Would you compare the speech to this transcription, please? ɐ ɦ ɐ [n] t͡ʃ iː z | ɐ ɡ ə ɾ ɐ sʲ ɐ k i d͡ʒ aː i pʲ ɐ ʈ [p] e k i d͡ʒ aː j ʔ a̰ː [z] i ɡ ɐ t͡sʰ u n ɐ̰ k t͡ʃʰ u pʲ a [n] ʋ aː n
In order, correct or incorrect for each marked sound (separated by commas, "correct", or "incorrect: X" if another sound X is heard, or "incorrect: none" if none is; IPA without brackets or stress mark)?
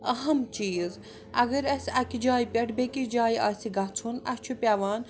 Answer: incorrect: m, incorrect: b, incorrect: s, incorrect: none